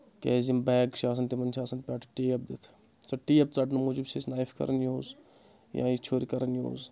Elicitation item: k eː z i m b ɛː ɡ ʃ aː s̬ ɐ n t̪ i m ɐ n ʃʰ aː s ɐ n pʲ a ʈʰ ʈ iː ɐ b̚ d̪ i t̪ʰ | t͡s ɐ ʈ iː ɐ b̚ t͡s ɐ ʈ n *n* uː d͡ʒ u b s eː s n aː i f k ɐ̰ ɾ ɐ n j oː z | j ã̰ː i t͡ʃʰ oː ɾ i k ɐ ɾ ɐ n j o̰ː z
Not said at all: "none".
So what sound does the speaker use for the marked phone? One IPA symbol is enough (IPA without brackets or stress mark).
m